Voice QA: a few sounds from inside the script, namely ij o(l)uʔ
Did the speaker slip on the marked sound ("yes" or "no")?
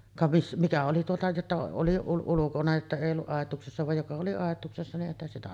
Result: yes